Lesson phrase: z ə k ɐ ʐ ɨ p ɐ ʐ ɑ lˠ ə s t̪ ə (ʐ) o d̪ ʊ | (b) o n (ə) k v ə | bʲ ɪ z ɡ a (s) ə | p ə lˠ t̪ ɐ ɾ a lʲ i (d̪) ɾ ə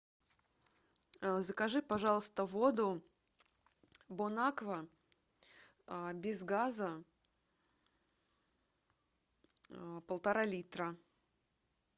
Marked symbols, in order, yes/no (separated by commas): no, yes, no, no, no